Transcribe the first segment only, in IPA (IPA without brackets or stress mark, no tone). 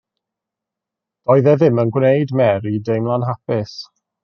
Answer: d̥